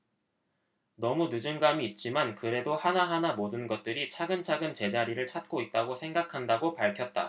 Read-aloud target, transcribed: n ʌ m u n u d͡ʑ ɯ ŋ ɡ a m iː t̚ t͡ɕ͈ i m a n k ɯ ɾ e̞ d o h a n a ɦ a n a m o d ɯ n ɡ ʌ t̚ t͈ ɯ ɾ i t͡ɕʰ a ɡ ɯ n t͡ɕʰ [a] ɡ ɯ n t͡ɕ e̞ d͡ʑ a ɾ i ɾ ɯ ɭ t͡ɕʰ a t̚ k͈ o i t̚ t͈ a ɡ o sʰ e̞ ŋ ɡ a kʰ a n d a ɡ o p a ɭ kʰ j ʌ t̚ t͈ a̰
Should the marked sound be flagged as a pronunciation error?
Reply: no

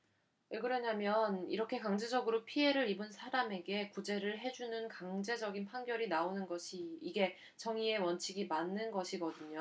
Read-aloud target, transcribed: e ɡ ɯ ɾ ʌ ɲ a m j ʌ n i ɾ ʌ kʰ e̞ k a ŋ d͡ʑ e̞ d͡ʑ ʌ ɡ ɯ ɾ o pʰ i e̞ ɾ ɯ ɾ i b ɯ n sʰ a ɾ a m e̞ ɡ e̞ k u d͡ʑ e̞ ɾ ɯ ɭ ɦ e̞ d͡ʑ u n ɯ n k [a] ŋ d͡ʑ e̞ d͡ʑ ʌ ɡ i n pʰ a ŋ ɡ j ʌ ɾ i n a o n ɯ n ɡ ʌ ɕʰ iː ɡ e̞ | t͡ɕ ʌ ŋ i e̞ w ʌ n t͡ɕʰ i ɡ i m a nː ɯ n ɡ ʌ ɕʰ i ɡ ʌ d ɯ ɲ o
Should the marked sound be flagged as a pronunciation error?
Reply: no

